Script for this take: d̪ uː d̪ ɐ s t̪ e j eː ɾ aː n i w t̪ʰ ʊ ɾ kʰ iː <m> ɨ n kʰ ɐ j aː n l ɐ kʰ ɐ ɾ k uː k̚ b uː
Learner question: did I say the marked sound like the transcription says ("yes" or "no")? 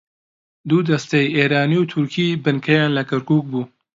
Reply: no